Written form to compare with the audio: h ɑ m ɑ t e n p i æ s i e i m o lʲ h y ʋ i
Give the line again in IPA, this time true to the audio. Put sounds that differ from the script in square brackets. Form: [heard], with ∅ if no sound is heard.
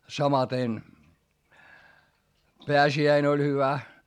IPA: [s] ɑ m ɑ t e n p [e] æ s i [æ] i [n] o lʲ h y ʋ [æ]